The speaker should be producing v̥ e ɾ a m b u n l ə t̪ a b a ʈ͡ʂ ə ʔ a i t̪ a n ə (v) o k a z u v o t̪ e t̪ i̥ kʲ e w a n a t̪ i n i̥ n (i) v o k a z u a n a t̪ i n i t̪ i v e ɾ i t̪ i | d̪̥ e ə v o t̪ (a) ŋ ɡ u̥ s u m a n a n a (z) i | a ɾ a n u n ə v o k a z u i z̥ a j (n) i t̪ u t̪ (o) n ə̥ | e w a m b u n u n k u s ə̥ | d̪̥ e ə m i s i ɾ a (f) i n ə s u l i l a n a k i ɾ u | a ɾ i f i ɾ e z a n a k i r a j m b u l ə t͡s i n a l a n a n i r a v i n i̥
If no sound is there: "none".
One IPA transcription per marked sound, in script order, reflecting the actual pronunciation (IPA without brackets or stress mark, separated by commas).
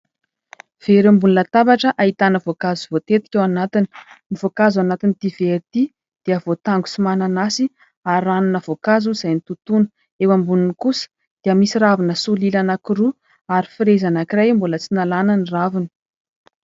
v, i, a, s, n, u, v